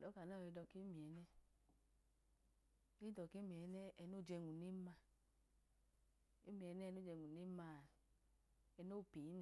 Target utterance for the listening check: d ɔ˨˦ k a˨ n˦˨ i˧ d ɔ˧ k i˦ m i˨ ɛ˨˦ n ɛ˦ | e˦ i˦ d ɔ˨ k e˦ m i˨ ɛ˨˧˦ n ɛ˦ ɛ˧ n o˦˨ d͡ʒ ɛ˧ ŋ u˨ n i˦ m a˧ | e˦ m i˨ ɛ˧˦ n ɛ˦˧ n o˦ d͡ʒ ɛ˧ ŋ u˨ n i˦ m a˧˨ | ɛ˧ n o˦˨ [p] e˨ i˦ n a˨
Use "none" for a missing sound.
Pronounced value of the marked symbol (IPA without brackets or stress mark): p